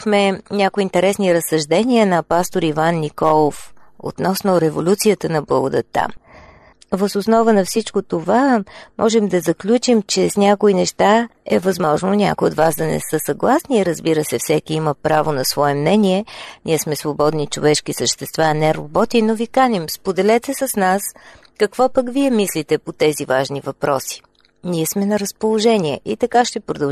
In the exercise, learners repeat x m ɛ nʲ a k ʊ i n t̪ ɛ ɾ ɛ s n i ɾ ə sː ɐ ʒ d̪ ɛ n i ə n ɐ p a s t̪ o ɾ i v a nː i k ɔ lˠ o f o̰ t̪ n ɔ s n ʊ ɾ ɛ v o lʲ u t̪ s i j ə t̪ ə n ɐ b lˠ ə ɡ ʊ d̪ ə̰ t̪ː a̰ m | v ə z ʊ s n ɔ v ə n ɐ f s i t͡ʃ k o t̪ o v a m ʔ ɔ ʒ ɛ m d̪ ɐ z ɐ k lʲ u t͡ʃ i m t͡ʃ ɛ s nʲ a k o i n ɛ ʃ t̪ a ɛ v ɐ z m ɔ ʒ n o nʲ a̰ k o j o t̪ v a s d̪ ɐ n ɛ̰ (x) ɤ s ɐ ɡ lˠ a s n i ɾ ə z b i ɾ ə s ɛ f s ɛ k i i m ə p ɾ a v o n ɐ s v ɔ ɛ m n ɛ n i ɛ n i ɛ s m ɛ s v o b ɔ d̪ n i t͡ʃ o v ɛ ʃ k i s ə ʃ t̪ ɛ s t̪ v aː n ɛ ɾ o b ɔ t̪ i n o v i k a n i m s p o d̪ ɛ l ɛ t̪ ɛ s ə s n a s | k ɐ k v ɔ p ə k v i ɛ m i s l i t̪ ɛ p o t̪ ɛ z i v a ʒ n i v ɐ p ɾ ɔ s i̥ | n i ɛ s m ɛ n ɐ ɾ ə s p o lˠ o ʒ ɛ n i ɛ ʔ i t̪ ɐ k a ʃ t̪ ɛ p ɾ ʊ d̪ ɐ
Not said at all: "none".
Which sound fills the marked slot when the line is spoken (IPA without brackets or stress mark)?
s